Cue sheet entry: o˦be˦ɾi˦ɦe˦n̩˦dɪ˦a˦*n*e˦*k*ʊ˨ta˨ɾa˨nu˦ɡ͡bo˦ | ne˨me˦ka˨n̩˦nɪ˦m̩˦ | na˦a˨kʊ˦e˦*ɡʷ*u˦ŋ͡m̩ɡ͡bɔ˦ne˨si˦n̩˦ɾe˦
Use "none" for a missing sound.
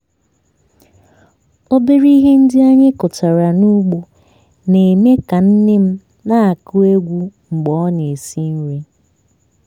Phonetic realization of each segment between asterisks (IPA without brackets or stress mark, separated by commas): ɲ, k, ɡʷ